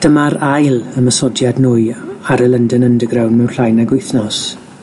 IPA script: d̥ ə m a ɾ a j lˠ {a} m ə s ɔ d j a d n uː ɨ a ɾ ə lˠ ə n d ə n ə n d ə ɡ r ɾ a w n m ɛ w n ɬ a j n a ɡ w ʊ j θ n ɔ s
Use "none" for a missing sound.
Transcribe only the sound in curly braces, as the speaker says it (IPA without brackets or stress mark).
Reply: ə